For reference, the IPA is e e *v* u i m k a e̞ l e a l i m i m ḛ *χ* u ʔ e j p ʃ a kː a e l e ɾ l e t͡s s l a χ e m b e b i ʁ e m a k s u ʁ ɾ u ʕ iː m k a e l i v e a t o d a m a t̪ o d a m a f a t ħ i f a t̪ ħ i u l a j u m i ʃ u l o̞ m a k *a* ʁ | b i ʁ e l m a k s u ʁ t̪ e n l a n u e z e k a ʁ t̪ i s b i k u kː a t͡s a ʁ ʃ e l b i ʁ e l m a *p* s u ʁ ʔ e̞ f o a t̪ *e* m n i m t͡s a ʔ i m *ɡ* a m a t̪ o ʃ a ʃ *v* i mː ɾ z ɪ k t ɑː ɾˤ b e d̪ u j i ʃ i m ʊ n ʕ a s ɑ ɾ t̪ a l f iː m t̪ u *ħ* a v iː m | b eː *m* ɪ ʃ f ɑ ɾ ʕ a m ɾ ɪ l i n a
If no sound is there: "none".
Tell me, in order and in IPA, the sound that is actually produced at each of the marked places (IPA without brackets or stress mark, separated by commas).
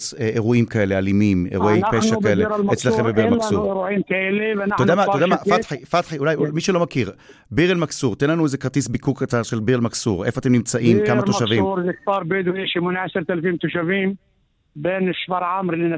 ʁ, ʁ, i, k, e, k, v, ʃ, n